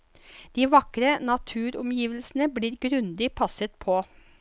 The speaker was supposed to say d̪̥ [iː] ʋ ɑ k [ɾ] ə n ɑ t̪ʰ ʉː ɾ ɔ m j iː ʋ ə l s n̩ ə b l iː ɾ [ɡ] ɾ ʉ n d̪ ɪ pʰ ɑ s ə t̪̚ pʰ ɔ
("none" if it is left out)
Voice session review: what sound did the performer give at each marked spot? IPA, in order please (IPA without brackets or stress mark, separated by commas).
iː, ɾ, ɡ